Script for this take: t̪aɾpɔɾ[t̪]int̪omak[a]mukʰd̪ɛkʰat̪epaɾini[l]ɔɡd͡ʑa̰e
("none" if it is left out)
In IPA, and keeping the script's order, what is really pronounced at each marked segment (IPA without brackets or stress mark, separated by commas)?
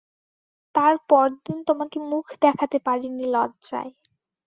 d̪, e, l